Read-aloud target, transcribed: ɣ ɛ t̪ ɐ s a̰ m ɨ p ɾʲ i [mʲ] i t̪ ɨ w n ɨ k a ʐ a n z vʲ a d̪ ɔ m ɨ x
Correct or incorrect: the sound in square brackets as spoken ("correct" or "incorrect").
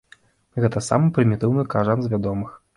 correct